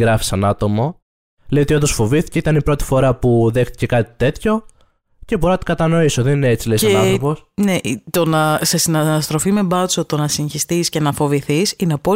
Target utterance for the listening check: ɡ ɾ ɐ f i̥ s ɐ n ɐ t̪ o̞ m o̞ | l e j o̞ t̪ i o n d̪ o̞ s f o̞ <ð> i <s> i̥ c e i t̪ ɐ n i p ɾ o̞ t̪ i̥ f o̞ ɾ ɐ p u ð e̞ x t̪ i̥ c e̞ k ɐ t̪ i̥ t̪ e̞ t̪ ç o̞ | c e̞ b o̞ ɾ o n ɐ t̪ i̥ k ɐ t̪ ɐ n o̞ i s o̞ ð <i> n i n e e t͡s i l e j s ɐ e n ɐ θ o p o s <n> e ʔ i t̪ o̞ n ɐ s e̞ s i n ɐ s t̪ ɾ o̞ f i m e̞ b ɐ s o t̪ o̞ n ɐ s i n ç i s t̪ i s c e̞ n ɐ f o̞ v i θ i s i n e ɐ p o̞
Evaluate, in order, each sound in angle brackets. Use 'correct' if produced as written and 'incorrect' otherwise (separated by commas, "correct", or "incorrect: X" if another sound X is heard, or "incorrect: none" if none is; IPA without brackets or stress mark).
incorrect: v, incorrect: θ, incorrect: e, correct